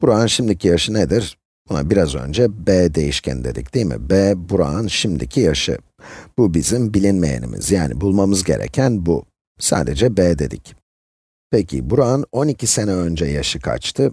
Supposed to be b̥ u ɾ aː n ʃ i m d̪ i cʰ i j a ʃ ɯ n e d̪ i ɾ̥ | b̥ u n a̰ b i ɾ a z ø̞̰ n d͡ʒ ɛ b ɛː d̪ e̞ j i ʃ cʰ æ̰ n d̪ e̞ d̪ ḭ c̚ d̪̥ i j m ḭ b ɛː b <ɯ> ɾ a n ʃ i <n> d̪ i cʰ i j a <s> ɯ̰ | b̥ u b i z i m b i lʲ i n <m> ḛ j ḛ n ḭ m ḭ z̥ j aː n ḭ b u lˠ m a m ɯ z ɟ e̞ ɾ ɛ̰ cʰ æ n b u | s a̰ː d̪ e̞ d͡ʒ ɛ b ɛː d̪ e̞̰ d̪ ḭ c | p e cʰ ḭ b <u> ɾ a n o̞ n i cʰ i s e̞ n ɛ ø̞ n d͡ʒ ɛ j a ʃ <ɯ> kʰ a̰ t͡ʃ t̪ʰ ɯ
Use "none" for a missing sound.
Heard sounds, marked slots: u, m, ʃ, m, u, ɯ

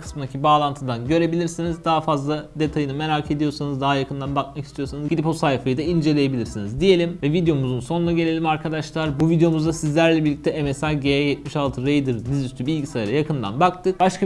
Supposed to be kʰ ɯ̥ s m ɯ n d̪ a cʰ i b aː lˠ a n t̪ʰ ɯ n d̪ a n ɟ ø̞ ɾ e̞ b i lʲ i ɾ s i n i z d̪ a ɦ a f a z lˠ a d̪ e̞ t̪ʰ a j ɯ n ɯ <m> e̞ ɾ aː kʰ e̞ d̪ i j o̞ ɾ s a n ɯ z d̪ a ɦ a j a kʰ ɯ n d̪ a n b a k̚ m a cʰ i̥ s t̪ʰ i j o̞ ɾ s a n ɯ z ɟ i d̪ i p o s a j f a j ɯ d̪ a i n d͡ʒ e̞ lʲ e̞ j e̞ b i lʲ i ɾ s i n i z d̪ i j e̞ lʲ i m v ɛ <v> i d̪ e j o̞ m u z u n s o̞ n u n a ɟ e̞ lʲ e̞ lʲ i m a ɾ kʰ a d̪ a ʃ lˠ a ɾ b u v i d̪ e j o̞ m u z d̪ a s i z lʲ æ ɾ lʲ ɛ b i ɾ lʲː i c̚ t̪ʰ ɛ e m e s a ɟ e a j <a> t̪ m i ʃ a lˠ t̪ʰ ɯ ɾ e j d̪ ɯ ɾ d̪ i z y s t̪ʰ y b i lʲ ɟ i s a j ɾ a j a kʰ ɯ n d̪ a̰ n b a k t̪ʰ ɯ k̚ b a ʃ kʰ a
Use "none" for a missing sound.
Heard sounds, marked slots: m, v, ɛ

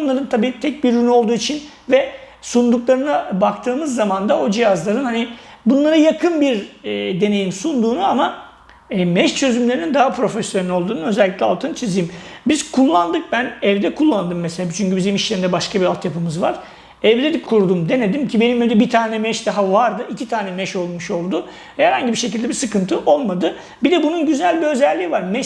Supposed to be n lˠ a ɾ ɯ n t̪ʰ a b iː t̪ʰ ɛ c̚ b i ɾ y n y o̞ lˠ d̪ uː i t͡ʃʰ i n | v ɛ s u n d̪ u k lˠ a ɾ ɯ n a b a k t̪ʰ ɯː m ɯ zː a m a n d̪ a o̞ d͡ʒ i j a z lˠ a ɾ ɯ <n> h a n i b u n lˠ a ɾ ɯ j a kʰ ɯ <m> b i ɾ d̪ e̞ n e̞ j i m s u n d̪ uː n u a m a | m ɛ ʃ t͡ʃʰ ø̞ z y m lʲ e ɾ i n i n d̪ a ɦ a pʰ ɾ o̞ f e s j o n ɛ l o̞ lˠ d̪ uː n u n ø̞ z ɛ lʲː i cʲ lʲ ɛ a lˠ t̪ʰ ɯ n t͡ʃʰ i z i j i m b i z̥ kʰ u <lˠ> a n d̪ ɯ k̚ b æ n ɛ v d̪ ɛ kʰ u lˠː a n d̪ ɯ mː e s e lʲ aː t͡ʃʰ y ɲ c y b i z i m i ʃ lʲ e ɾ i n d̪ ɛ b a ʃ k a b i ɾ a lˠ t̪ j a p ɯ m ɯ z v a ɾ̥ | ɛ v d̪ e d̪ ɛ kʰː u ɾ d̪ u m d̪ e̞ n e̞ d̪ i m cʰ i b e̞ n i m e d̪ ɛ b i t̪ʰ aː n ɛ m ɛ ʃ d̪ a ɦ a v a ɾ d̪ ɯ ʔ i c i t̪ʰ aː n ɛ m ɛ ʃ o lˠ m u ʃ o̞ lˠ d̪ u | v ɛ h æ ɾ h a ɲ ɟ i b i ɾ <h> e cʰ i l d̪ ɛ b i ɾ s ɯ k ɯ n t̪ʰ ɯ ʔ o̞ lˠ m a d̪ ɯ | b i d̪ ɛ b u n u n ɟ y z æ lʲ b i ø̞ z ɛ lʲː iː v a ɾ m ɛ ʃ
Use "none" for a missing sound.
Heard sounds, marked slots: n, n, lˠː, ʃ

